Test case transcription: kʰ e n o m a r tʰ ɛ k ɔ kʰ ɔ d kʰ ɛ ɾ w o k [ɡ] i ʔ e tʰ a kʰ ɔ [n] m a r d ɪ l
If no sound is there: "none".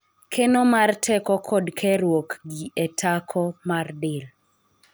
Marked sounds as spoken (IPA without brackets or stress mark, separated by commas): ɡ, none